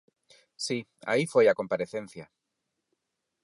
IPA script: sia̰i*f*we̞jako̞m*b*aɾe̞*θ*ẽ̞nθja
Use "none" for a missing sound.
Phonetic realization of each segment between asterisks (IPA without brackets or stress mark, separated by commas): f, p, θ